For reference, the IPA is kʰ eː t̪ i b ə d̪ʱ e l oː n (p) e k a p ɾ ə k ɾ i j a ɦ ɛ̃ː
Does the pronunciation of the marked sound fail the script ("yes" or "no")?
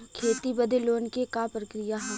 yes